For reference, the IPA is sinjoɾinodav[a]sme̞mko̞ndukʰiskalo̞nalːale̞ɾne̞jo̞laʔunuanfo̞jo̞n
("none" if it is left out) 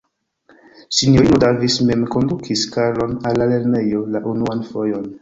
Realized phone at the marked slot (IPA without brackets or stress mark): i